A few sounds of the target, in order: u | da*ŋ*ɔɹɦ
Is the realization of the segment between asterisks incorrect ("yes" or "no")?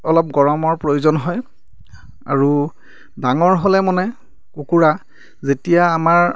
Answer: no